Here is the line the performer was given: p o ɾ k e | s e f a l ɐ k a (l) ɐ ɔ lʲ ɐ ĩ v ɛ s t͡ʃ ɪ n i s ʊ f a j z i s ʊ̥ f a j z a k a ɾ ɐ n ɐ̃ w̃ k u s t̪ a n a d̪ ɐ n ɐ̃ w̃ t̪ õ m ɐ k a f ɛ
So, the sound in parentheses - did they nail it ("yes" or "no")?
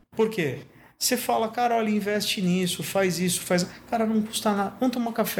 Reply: no